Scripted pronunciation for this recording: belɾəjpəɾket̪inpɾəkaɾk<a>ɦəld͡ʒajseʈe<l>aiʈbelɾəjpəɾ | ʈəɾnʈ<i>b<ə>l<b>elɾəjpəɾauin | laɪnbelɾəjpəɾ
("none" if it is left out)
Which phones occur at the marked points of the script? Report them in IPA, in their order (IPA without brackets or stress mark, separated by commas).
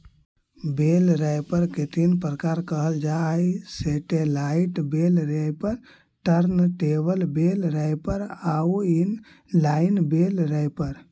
ə, l, e, ə, b